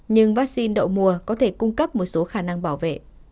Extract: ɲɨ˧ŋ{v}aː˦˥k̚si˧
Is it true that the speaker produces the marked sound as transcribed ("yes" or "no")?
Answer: yes